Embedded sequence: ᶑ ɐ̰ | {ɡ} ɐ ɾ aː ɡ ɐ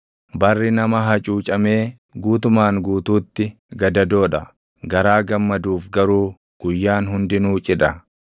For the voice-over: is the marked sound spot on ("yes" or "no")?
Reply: yes